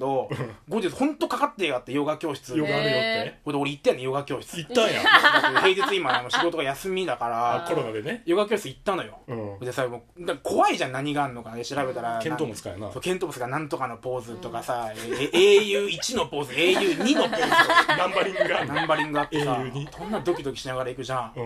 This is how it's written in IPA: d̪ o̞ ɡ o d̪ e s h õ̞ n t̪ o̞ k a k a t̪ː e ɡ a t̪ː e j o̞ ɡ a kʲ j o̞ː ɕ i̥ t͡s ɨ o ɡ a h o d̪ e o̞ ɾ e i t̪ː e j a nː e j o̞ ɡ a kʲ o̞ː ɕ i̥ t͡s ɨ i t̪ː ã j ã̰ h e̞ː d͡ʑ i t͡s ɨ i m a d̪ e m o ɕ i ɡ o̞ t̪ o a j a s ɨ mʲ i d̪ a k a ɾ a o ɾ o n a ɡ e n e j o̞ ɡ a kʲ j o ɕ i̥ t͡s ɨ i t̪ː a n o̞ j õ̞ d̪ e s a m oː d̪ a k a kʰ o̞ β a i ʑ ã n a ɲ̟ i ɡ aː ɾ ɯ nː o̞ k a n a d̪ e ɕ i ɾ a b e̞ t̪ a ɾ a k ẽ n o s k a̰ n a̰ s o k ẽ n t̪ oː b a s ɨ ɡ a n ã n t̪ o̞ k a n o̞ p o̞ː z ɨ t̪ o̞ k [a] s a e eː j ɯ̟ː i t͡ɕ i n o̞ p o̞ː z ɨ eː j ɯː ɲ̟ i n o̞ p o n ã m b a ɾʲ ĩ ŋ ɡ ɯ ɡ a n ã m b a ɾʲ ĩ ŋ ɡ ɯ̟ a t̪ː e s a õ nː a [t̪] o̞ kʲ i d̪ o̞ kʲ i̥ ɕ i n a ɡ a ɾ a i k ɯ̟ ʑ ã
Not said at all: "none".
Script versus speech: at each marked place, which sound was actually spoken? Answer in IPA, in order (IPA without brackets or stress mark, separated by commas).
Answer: a, d̪